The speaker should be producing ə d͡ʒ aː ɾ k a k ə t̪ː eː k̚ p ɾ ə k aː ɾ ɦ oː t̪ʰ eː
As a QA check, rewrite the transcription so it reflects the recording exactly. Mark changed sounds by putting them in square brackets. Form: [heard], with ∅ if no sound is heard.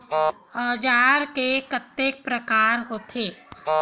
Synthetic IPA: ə d͡ʒ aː ɾ k [e] k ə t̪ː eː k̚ p ɾ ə k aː ɾ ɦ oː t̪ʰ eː